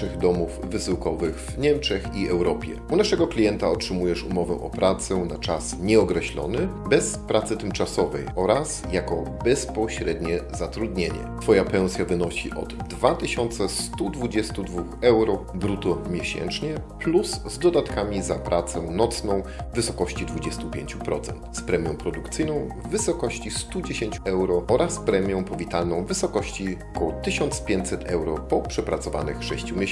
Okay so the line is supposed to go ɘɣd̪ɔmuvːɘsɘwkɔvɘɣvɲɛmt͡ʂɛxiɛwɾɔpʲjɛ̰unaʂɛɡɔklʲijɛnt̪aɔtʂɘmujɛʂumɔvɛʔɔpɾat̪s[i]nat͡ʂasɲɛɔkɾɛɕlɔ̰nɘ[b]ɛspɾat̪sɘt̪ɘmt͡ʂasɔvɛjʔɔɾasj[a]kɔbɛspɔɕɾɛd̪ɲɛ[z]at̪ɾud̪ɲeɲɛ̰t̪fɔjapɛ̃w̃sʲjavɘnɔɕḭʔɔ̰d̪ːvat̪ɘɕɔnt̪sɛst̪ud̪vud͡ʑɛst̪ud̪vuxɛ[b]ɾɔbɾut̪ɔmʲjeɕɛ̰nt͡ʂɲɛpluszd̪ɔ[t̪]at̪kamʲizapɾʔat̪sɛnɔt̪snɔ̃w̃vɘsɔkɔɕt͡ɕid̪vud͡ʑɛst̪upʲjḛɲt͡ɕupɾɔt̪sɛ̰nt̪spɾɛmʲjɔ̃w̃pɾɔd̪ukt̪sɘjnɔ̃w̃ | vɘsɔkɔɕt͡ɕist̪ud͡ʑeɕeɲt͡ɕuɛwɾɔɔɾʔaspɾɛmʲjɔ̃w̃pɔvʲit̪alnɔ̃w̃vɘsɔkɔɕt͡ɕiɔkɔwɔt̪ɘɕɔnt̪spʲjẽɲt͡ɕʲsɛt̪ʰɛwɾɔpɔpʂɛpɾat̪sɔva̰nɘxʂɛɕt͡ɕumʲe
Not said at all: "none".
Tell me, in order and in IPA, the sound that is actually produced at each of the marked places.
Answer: ɛ, b, a, z, w, d̪

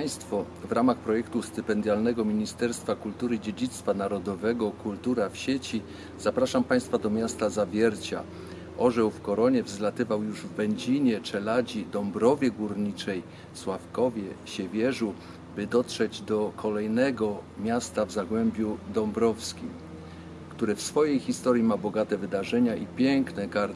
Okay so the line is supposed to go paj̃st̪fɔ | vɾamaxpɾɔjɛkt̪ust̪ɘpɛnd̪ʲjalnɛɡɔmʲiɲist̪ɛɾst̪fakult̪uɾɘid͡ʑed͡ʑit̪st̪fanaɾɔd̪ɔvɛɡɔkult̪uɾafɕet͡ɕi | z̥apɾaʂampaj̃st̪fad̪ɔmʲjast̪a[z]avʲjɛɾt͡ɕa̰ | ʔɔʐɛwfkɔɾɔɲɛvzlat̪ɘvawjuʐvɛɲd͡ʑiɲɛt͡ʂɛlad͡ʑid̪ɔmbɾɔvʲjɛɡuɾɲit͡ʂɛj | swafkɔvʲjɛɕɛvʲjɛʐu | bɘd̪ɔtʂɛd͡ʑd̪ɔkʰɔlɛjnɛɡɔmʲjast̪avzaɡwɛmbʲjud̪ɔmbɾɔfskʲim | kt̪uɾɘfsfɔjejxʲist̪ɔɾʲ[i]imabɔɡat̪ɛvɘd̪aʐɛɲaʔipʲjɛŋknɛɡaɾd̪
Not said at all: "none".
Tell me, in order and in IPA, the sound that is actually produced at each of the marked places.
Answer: z, j

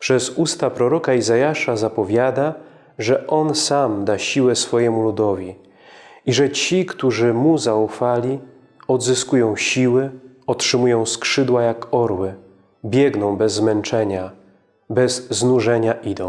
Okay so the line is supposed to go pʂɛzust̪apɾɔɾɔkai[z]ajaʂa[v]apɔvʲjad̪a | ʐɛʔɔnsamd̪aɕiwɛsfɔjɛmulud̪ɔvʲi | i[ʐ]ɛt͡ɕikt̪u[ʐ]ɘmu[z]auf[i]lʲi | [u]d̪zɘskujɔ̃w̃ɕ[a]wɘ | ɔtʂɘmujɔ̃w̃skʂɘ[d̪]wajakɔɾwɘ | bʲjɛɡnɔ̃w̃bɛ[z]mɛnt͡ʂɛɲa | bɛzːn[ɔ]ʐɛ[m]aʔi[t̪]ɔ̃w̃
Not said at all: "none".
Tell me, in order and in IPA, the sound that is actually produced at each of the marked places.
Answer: z, z, ʐ, ʐ, z, a, ɔ, i, d̪, zː, u, ɲ, d̪

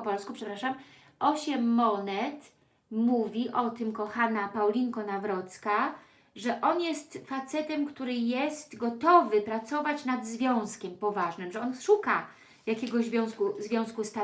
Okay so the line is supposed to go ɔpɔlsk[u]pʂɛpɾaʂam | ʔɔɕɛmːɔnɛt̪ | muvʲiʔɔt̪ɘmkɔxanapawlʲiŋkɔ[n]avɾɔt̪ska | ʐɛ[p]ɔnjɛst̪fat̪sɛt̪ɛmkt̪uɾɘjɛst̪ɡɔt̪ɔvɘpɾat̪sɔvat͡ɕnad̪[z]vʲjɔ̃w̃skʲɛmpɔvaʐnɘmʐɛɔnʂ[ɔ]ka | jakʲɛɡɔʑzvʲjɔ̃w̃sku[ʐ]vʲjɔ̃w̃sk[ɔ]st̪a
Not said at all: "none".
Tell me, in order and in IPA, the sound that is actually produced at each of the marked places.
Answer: u, n, ʔ, z, u, z, u

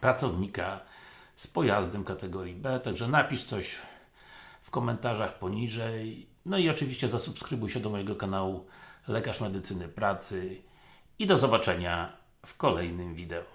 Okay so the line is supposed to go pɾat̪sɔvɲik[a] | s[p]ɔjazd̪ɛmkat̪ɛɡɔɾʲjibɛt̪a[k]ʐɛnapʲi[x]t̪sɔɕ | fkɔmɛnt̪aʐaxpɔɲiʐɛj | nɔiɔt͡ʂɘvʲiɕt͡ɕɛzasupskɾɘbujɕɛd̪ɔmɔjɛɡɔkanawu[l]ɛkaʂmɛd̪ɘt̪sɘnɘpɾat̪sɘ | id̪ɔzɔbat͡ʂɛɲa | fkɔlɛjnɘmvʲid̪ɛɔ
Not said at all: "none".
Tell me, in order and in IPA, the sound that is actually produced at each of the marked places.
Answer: a, p, ɡ, ʂ, l

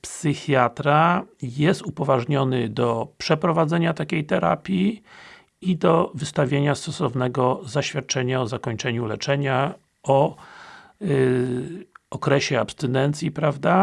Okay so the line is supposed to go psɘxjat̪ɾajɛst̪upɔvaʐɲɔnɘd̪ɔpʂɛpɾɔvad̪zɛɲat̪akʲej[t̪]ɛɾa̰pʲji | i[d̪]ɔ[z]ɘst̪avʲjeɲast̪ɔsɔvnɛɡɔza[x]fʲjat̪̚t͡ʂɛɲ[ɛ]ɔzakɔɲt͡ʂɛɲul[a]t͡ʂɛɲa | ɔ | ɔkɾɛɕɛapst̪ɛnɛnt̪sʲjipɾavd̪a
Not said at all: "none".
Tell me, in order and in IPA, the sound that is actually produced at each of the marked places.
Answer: t̪, d̪, v, ɕ, a, ɛ

